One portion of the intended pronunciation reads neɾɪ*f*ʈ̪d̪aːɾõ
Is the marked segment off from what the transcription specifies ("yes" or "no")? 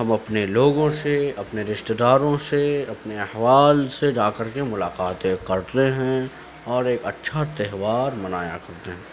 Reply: yes